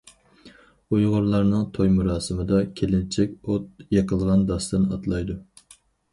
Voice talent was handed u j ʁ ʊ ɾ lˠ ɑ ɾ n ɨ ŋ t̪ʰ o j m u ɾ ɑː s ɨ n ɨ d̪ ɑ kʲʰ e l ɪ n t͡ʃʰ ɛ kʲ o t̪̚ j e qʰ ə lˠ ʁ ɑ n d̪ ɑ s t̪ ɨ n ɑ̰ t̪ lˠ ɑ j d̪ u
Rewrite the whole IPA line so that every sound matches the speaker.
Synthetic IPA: u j ʁ ʊ ɾ lˠ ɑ ɾ n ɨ ŋ t̪ʰ o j m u ɾ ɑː s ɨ m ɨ d̪ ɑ kʲʰ e l ɪ n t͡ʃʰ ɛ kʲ o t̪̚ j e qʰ ə lˠ ʁ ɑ n d̪ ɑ s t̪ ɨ n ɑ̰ t̪ lˠ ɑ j d̪ u